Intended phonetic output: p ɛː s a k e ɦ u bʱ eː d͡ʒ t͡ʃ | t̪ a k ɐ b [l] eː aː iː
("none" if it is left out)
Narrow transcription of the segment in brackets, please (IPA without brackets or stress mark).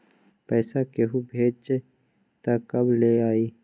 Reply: l